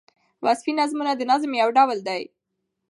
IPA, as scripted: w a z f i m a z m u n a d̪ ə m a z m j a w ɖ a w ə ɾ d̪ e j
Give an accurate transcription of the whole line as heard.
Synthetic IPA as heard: w a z f i n a z m u n a d̪ ə n a z m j a w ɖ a w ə l d̪ a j